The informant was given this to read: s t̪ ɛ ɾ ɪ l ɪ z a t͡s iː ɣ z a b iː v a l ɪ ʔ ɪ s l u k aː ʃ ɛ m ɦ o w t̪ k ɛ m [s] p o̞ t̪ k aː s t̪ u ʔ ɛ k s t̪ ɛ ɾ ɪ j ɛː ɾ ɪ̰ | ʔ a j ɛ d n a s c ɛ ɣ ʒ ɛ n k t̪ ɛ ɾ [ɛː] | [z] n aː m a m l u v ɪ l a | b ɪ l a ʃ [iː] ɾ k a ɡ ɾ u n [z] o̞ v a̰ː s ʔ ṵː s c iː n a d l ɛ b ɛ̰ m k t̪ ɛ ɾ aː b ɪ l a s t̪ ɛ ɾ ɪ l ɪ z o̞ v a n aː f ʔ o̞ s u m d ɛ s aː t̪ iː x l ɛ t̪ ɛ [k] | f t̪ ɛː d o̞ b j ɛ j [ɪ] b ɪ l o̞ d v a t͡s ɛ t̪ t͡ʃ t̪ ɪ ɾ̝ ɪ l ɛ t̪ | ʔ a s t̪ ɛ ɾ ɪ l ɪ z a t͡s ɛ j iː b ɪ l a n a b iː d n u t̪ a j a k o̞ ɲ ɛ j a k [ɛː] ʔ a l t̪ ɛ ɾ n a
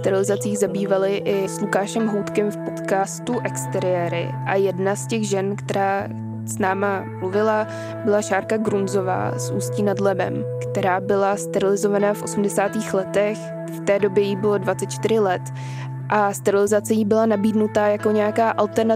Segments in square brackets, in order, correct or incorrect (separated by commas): incorrect, incorrect, incorrect, incorrect, correct, incorrect, incorrect, incorrect